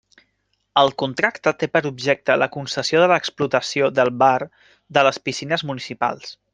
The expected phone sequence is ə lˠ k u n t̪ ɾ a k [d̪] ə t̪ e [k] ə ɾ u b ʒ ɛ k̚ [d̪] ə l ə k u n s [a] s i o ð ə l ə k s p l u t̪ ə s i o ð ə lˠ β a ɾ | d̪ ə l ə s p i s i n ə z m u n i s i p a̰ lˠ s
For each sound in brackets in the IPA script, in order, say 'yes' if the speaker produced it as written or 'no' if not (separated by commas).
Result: no, no, no, no